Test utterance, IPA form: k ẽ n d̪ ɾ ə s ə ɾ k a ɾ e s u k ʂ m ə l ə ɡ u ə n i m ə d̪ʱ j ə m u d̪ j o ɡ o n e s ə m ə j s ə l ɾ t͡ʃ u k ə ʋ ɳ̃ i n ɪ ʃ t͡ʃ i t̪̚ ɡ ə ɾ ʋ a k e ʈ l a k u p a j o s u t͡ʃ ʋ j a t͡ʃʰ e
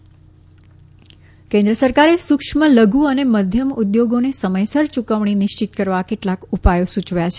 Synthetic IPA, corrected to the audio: k ẽ n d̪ ɾ ə s ə ɾ k a ɾ e s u k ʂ m ə l ə ɡ u ə n e m ə d̪ʱ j ə m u d̪ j o ɡ o n e s ə m ə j s ə ɾ t͡ʃ u k ə ʋ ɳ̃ i n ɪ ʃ t͡ʃ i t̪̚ k ə ɾ ʋ a k e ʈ l a k u p a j o s u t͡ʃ ʋ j a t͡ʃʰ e